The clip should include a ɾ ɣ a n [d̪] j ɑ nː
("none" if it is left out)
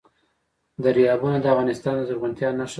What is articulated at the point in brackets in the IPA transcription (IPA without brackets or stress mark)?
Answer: t̪